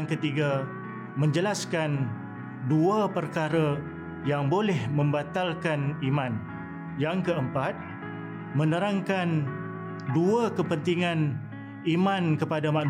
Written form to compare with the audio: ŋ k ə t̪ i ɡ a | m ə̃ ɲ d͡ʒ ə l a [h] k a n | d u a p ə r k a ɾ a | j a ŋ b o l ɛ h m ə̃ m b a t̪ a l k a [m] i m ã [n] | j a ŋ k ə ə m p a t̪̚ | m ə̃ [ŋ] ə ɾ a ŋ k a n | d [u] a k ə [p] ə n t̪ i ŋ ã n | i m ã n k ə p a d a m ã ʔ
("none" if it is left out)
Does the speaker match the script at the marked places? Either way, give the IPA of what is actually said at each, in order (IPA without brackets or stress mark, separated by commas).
s, n, n, n, u, p